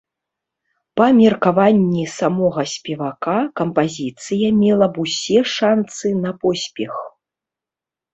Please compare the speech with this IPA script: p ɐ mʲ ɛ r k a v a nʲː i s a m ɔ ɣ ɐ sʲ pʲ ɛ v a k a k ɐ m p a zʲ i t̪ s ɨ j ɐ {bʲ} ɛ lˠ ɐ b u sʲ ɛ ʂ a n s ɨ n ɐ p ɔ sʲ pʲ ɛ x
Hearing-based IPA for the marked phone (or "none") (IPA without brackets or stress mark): mʲ